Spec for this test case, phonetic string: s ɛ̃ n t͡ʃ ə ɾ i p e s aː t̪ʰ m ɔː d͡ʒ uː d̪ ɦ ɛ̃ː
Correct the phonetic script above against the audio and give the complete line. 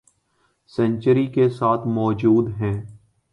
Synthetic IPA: s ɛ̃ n t͡ʃ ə ɾ i k e s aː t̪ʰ m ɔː d͡ʒ uː d̪ ɦ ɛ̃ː

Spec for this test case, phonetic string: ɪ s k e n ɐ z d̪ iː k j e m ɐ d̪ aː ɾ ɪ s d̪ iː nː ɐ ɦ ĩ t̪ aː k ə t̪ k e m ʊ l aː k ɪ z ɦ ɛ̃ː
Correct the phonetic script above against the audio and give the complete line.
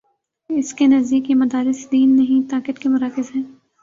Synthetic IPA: ɪ s k e n ɐ z d̪ iː k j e m ɐ d̪ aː ɾ ɪ s d̪ iː nː ɐ ɦ ĩ t̪ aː k ə t̪ k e m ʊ ɾ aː k ɪ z ɦ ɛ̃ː

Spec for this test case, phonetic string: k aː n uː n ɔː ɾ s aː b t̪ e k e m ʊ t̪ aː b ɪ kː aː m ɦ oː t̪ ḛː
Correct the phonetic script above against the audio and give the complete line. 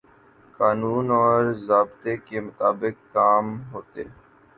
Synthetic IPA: k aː n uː n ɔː ɾ z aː b t̪ e k e m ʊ t̪ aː b ɪ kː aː m ɦ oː t̪ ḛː

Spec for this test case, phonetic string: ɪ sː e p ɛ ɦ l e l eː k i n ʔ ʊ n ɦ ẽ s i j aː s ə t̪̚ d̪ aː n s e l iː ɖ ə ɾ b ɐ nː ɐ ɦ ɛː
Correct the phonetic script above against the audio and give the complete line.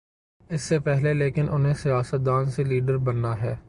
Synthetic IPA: ɪ sː e p ɛ ɦ l e l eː k ɪ n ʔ ʊ n ɦ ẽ s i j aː s ə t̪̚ d̪ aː n s e l iː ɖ ə ɾ b ɐ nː a ɦ ɛː

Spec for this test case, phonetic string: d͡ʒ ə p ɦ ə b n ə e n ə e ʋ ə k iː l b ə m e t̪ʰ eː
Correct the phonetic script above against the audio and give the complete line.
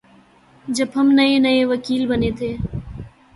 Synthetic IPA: d͡ʒ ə b ɦ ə m n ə e n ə e ʋ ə k iː l b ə n e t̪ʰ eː

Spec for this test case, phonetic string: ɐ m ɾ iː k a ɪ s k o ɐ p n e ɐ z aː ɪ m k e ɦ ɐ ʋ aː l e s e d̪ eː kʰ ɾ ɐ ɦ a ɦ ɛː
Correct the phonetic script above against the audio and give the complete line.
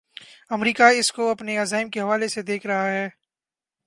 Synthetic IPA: ɐ m ɾ iː k a ɪ s k o ɐ p n e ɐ z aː ɪ m k e ɦ ɐ ʋ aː l e s e d̪ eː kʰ ɾ ɐ ɦ a ɦ ɛː

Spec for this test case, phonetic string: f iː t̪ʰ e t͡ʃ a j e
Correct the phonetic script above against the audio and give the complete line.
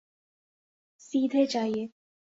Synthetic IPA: s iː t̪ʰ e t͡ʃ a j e

